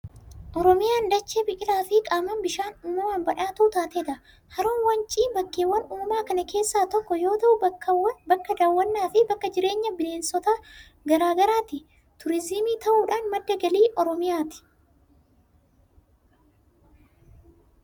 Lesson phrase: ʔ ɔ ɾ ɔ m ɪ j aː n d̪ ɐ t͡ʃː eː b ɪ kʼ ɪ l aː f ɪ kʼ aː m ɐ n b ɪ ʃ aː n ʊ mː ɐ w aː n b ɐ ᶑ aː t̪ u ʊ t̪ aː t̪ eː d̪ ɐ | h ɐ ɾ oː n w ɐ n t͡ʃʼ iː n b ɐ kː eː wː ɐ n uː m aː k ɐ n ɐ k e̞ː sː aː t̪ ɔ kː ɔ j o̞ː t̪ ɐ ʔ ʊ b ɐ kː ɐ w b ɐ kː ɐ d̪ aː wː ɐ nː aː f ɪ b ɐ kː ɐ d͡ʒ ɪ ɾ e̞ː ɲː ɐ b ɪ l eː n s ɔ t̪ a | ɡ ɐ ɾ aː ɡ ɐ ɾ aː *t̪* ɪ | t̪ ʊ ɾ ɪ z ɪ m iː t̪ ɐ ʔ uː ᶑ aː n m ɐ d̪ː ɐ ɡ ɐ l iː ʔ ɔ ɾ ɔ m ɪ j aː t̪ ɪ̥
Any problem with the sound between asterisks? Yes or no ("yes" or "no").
no